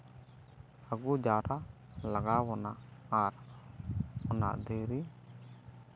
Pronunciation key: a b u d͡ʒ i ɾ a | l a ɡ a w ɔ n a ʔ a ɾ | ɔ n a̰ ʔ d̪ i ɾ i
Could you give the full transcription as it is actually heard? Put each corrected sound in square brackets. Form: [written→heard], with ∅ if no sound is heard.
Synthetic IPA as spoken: a [b→ɡ] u d͡ʒ [i→a] ɾ a | l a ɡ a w ɔ n a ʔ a ɾ | ɔ n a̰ ʔ d̪ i ɾ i